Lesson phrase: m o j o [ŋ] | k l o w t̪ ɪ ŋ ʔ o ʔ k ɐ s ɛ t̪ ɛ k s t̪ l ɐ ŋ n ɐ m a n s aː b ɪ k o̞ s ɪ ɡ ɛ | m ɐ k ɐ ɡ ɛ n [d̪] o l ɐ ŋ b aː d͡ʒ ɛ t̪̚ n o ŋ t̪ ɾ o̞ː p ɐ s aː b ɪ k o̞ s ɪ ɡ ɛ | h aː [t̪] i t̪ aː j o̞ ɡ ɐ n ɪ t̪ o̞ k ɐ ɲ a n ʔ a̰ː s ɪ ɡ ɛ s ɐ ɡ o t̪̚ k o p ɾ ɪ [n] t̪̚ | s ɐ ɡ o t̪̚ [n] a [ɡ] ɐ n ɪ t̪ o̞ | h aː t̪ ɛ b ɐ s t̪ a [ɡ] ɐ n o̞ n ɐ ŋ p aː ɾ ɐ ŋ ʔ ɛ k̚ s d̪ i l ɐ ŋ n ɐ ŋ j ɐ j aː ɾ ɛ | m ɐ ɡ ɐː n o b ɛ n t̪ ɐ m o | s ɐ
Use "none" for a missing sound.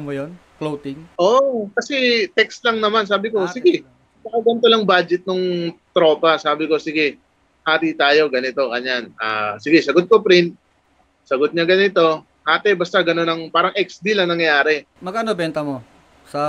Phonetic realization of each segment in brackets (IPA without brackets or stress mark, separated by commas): n, t̪, t̪, n, ɲ, ɡ, ɡ